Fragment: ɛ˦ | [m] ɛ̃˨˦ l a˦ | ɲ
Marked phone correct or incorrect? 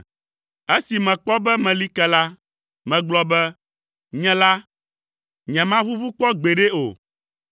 incorrect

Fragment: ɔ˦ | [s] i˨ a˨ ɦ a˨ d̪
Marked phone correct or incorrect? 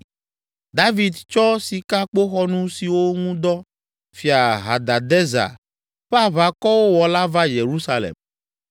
incorrect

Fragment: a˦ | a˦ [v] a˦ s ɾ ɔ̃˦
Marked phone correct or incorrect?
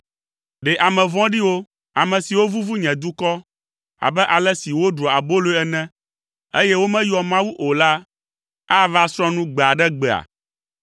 correct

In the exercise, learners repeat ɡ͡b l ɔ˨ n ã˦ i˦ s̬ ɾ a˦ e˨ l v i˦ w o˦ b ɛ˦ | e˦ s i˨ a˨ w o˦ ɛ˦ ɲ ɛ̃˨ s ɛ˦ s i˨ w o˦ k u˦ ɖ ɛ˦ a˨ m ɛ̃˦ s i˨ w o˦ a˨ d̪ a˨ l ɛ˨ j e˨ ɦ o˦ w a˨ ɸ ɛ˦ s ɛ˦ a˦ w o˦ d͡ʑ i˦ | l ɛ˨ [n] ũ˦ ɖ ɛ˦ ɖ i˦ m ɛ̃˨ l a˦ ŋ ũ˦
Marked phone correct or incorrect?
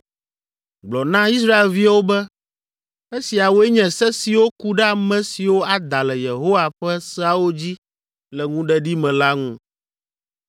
incorrect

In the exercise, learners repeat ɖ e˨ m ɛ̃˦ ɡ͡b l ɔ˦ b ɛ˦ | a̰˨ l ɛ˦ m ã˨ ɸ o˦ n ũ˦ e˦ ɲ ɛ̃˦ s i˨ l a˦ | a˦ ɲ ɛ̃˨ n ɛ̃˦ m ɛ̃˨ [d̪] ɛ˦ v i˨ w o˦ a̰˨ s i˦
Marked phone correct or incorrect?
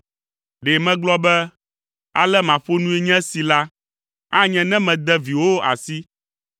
correct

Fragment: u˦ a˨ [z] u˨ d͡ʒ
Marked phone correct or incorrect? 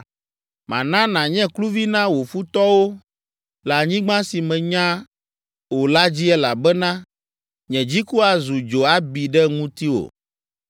correct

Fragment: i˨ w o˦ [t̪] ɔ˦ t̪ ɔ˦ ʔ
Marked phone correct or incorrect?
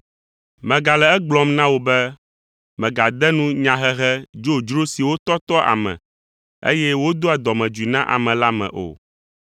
correct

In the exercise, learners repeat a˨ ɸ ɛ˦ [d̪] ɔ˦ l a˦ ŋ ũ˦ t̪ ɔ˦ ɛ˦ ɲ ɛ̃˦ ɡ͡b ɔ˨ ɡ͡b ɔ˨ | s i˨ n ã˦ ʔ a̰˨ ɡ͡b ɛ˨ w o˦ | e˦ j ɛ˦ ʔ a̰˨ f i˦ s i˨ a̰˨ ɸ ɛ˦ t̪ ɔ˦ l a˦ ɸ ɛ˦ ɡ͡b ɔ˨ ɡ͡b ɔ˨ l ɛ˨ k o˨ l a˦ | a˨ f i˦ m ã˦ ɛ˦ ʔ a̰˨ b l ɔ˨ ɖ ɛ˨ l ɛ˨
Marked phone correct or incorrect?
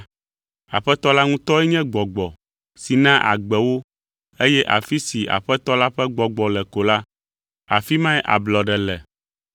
incorrect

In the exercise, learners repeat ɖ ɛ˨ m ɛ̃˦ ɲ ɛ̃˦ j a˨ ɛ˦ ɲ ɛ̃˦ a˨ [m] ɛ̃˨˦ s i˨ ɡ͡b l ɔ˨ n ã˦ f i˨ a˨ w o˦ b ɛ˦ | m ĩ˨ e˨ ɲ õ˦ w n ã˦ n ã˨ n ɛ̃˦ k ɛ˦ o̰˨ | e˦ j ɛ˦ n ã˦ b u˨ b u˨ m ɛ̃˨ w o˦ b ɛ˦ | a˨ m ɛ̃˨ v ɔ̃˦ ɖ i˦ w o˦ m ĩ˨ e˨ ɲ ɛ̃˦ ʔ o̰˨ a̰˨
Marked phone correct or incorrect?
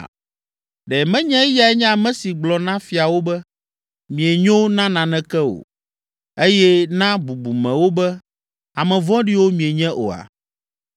correct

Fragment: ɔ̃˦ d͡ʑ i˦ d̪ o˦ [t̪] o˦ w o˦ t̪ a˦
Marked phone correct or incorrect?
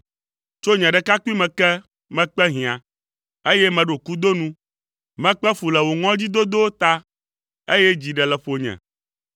incorrect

